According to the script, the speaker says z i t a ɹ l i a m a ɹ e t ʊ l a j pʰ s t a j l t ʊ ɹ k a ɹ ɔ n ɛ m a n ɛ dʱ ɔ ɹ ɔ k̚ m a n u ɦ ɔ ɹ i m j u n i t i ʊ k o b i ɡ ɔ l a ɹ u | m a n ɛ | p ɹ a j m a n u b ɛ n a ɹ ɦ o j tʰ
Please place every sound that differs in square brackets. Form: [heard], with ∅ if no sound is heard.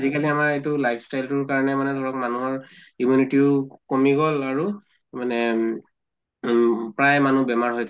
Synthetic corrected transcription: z i [k] a [∅] l i a m a ɹ e t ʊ l a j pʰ s t a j l t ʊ ɹ k a ɹ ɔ n ɛ m a n ɛ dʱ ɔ ɹ ɔ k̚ m a n u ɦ ɔ ɹ i m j u n i t i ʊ k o [m] i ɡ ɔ l a ɹ u | m a n ɛ | p ɹ a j m a n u b ɛ [m] a ɹ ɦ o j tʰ